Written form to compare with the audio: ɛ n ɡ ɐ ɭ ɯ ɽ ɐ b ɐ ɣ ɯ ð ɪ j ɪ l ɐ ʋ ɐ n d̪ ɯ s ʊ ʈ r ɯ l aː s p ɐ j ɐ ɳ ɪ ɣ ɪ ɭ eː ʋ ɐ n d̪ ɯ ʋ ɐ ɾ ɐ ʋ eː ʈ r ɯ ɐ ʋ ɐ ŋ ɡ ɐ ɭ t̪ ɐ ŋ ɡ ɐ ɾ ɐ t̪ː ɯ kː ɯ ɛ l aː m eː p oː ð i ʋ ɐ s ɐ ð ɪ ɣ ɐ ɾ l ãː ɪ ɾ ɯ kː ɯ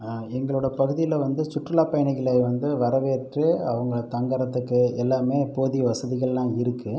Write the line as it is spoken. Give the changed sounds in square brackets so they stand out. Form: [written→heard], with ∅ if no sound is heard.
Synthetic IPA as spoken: ɛ [n→ŋ] ɡ ɐ ɭ ɯ ɽ ɐ [b→p] ɐ ɣ ɯ ð ɪ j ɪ l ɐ ʋ ɐ n d̪ ɯ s ʊ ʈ r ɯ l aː [s→∅] p ɐ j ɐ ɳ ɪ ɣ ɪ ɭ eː ʋ ɐ n d̪ ɯ ʋ ɐ ɾ ɐ ʋ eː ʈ r ɯ ɐ ʋ ɐ ŋ ɡ ɐ ɭ t̪ ɐ ŋ ɡ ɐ ɾ ɐ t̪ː ɯ kː ɯ ɛ [l→lː] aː m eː p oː ð i ʋ ɐ s ɐ ð ɪ ɣ ɐ [ɾ→ɭ] l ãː ɪ ɾ ɯ kː ɯ